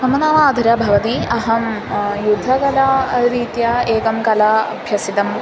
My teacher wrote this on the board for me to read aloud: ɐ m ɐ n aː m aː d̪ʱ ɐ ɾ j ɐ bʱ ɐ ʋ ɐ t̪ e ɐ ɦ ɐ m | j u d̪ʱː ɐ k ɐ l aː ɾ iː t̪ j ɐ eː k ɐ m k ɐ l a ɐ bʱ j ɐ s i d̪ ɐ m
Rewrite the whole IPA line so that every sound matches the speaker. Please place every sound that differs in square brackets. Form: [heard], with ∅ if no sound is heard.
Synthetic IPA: ɐ m ɐ n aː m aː d̪ʱ ɐ ɾ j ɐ bʱ ɐ ʋ ɐ t̪ [i] ɐ ɦ ɐ m | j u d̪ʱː ɐ k ɐ l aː ɾ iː t̪ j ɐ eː k ɐ m k ɐ l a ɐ bʱ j ɐ s i [t̪] ɐ m

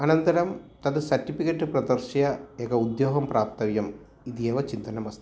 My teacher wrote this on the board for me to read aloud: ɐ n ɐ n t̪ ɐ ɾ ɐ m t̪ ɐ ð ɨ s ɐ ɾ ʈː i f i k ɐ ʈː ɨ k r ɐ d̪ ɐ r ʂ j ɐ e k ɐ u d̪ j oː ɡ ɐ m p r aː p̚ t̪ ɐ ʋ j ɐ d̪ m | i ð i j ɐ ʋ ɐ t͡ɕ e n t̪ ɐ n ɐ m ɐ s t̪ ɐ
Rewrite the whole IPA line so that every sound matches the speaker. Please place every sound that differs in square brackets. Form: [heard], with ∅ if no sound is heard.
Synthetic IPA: ɐ n ɐ n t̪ ɐ ɾ ɐ m t̪ ɐ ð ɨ s ɐ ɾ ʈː i f i k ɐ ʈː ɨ [p] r ɐ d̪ ɐ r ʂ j ɐ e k ɐ u d̪ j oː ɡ ɐ m p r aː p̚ t̪ ɐ ʋ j ɐ [∅] m | i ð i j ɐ ʋ ɐ t͡ɕ [i] n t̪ ɐ n ɐ m ɐ s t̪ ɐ

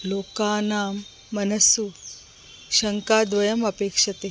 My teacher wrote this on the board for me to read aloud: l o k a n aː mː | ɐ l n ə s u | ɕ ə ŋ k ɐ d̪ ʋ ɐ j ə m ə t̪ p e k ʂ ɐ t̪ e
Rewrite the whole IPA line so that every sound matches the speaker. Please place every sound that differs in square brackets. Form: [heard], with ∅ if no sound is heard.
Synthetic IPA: l o k a n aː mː | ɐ [∅] n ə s u | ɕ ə ŋ k [a] d̪ ʋ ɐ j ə m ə [∅] p e k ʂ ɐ t̪ e

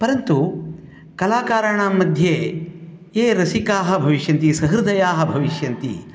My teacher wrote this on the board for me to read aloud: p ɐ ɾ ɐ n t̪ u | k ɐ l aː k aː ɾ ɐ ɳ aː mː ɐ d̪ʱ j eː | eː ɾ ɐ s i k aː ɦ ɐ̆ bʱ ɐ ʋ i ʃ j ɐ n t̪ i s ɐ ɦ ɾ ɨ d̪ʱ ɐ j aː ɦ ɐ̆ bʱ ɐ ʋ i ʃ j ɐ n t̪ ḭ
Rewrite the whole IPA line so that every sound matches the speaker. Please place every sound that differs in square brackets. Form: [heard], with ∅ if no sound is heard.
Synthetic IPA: p ɐ ɾ ɐ n t̪ u | k ɐ l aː k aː ɾ ɐ ɳ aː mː ɐ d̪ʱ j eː | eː ɾ ɐ s i k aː ɦ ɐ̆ bʱ ɐ ʋ i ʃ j ɐ n t̪ i s ɐ ɦ ɾ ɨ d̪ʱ ɐ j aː ɦ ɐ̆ bʱ ɐ ʋ i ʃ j ɐ n t̪ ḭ

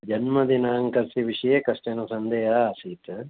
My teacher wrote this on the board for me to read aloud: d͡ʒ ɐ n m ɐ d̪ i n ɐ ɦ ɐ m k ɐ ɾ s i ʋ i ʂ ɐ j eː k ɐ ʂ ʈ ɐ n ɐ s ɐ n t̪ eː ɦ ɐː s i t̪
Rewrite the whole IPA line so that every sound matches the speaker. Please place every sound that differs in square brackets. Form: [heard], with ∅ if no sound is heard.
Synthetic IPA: d͡ʒ ɐ n m ɐ d̪ i n ɐ ɦ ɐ [ŋ] k ɐ ɾ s i ʋ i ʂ ɐ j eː k ɐ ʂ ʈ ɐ n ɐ s ɐ n [d̪] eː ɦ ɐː s i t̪

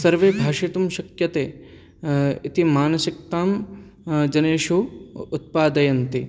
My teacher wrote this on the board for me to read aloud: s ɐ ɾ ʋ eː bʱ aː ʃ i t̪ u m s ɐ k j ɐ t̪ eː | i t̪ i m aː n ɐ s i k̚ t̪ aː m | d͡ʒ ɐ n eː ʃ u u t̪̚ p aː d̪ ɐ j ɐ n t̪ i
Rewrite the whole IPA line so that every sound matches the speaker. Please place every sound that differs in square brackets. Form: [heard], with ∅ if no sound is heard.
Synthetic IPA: s ɐ ɾ ʋ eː bʱ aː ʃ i t̪ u m [ʃ] ɐ k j ɐ t̪ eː | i t̪ i m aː n ɐ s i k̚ t̪ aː m | d͡ʒ ɐ n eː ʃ u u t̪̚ p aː d̪ ɐ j ɐ n t̪ i

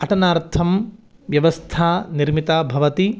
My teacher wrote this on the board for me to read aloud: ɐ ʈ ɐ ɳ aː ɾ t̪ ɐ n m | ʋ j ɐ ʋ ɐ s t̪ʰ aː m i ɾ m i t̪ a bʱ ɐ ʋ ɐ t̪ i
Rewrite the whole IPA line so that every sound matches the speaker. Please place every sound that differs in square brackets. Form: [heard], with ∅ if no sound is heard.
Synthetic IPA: ɐ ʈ ɐ [n] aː ɾ [t̪ʰ] ɐ [∅] m | ʋ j ɐ ʋ ɐ s t̪ʰ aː [n] i ɾ m i t̪ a bʱ ɐ ʋ ɐ t̪ i

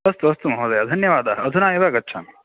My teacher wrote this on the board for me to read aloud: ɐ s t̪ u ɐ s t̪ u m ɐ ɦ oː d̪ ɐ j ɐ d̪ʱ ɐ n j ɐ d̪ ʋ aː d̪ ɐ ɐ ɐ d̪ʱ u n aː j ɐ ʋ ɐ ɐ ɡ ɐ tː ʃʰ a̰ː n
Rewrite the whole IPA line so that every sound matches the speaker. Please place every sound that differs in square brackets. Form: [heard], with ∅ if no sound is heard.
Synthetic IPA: ɐ s t̪ u ɐ s t̪ u m ɐ ɦ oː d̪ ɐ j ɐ d̪ʱ ɐ n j ɐ [∅] ʋ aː d̪ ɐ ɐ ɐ d̪ʱ u n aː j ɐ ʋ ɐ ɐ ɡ ɐ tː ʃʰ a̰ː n

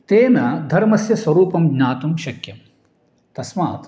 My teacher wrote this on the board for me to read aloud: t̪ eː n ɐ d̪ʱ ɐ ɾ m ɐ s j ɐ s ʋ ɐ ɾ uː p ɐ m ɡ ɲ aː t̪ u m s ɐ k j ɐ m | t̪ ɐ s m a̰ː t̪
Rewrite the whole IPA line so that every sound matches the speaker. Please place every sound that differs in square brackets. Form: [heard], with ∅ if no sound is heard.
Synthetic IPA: t̪ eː n ɐ d̪ʱ ɐ ɾ m ɐ s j ɐ s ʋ ɐ ɾ uː p ɐ m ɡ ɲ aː t̪ u m [ʃ] ɐ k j ɐ m | t̪ ɐ s m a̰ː t̪

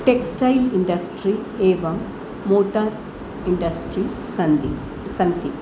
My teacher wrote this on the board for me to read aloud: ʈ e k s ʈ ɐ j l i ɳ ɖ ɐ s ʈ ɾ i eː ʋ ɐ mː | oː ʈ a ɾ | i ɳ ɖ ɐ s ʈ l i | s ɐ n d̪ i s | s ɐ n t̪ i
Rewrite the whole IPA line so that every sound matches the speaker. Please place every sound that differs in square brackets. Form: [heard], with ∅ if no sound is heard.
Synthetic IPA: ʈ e k s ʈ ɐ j l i ɳ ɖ ɐ s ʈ ɾ i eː ʋ ɐ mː | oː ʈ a ɾ | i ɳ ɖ ɐ s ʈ [ɾ] i | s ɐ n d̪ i [∅] | s ɐ n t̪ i

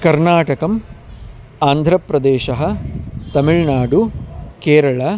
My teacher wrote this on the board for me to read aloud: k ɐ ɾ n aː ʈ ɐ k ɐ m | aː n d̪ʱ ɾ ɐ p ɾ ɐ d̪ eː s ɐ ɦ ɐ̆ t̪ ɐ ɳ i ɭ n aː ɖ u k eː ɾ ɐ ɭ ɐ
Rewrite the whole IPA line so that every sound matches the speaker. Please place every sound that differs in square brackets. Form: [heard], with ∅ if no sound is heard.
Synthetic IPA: k ɐ ɾ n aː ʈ ɐ k ɐ m | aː n d̪ʱ ɾ ɐ p ɾ ɐ d̪ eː [ʃ] ɐ ɦ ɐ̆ t̪ ɐ [m] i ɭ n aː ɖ u k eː ɾ ɐ ɭ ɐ

